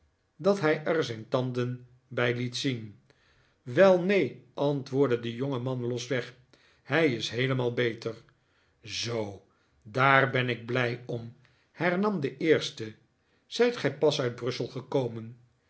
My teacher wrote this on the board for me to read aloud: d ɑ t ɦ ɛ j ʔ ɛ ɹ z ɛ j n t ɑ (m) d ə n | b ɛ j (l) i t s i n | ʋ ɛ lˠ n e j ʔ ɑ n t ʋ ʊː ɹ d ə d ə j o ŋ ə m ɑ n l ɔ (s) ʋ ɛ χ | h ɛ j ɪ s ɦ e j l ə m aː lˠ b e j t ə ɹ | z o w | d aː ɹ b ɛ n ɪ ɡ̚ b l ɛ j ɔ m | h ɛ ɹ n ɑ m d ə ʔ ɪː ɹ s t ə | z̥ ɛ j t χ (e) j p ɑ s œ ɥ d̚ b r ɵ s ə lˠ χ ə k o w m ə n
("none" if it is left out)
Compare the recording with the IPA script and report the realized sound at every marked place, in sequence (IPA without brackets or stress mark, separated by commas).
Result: n, l, s, ɛ